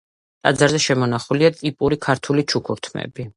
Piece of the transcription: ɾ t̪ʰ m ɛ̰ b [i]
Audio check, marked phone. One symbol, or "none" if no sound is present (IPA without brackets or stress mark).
i